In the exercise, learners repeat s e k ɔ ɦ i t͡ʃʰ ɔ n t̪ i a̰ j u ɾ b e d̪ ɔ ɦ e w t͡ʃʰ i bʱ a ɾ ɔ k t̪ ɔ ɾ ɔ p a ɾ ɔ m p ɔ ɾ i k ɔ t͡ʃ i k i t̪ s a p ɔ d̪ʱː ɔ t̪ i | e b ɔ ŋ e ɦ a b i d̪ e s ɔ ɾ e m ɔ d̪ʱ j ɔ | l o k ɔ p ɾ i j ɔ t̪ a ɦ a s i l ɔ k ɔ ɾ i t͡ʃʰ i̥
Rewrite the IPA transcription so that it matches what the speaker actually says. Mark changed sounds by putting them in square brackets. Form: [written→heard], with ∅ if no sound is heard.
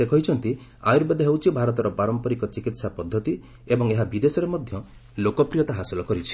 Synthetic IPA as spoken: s e k ɔ ɦ i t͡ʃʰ ɔ n t̪ i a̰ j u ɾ b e d̪ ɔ ɦ e w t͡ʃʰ i bʱ a ɾ ɔ [k→∅] t̪ ɔ ɾ ɔ p a ɾ ɔ m p ɔ ɾ i k ɔ t͡ʃ i k i t̪ s a p ɔ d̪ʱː ɔ t̪ i | e b ɔ ŋ e ɦ a b i d̪ e s ɔ ɾ e m ɔ d̪ʱ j ɔ | l o k ɔ p ɾ i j ɔ t̪ a ɦ a s i l ɔ k ɔ ɾ i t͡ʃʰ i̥